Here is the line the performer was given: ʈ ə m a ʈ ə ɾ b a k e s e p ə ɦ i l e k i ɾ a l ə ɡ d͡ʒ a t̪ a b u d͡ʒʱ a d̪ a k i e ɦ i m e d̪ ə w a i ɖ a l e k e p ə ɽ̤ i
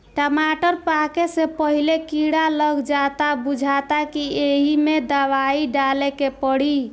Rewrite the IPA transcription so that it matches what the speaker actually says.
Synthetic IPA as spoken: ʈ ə m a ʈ ə ɾ p a k e s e p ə ɦ i l e k i ɽ a l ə ɡ d͡ʒ a t̪ a b u d͡ʒʱ a t̪ a k i e ɦ i m e d̪ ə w a i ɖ a l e k e p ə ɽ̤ i